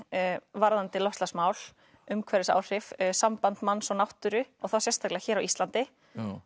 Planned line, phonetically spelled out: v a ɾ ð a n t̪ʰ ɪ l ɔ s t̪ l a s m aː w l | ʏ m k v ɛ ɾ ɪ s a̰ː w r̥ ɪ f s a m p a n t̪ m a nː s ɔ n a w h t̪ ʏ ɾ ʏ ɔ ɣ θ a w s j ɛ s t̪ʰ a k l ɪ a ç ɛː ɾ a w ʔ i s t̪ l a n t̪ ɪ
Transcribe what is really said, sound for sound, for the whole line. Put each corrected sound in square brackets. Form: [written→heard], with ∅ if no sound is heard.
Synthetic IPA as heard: v a ɾ ð a n [t̪ʰ→t̪] ɪ l ɔ s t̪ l a s m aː w l | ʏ m [k→kʰ] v ɛ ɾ ɪ s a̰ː w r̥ ɪ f s a m p a n t̪ m a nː s ɔ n a w h t̪ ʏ ɾ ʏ ɔ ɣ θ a w s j ɛ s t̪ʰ a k l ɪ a ç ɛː ɾ a w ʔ i s t̪ l a n t̪ ɪ